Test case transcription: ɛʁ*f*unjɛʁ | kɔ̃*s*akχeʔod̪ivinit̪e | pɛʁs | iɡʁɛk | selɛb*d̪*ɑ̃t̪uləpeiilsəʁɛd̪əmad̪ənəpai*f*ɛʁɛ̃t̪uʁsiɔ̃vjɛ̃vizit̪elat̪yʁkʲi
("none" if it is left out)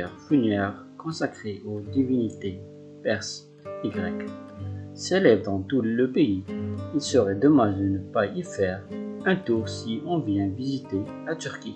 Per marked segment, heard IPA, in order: f, s, d̪, f

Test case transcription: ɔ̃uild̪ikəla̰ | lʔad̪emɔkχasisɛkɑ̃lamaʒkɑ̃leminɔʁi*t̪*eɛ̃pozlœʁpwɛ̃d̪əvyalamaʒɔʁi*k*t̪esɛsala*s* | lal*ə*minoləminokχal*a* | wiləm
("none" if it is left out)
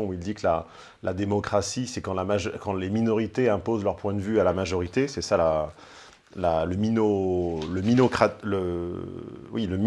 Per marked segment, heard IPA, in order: t̪, none, none, ə, ə

